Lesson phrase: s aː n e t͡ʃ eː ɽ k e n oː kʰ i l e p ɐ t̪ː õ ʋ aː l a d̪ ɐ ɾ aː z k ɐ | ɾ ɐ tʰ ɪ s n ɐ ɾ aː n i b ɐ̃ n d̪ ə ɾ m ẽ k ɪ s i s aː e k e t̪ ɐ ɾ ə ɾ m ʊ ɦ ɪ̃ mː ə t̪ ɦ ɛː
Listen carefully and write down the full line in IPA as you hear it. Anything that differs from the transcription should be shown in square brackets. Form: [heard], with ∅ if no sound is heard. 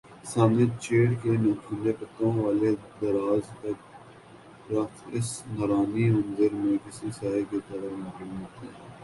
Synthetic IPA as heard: s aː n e t͡ʃ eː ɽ k e n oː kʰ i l e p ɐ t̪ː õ ʋ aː l [e] d̪ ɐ ɾ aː z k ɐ | ɾ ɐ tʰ ɪ s n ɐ ɾ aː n i [m] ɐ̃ n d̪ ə ɾ m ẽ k ɪ s i s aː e k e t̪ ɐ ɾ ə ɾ m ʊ ɦ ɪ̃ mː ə t̪ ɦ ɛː